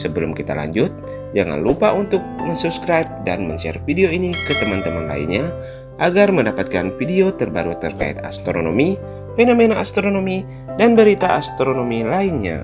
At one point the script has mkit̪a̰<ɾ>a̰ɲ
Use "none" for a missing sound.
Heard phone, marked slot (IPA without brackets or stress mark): l